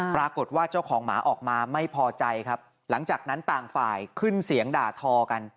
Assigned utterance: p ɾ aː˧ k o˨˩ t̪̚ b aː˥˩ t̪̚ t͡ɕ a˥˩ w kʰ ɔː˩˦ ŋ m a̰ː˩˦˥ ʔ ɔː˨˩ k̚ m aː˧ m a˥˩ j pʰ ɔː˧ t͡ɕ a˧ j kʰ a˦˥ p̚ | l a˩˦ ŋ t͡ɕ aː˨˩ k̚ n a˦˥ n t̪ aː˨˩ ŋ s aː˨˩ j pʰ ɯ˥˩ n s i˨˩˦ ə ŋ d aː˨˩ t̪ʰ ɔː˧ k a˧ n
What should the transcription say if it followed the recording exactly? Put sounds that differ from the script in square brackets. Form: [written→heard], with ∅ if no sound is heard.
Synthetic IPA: p ɾ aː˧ k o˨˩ t̪̚ [b→w] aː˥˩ [t̪̚→∅] t͡ɕ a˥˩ w kʰ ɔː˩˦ ŋ m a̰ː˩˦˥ ʔ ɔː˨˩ k̚ m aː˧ m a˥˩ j pʰ ɔː˧ t͡ɕ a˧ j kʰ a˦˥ p̚ | l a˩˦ ŋ t͡ɕ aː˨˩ k̚ n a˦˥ n t̪ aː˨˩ ŋ [s→f] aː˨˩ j [pʰ→kʰ] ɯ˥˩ n s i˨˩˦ ə ŋ d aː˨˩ t̪ʰ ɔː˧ k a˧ n